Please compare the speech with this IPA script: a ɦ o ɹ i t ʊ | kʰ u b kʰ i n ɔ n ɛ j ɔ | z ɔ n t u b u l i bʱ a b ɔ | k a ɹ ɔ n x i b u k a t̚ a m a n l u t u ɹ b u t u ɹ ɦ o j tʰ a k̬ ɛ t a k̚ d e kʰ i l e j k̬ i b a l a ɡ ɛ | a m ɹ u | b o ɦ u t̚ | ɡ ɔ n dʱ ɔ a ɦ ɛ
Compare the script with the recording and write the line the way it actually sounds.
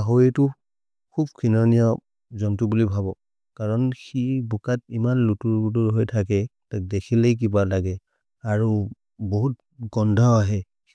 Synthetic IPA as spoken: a ɦ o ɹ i t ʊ | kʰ u b kʰ i n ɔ n i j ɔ | z ɔ n t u b u l i bʱ a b ɔ | k a ɹ ɔ n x i b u k a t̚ i m a n l u t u ɹ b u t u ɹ ɦ o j tʰ a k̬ ɛ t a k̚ d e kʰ i l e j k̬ i b a l a ɡ ɛ | a ɹ u | b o ɦ u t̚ | ɡ ɔ n dʱ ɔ a ɦ ɛ